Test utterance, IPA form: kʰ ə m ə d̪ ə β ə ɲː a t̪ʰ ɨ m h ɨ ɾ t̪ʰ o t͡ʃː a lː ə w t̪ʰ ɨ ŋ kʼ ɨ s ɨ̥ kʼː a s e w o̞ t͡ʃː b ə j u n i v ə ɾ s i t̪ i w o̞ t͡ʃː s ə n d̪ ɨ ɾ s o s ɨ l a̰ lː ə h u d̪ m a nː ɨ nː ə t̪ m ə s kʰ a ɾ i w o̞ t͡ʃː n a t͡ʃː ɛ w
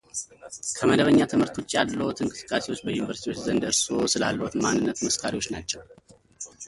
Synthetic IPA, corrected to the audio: kʰ ə m ə d̪ ə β ə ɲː a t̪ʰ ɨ m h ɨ ɾ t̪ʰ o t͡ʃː a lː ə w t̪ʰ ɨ ŋ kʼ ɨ s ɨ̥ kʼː a s e w o̞ t͡ʃː b ə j u n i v ə ɾ s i t̪ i w o̞ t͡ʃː z ə n d̪ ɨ ɾ s o s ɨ l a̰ lː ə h u t̪ m a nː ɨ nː ə t̪ m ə s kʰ a ɾ i w o̞ t͡ʃː n a t͡ʃː ɛ w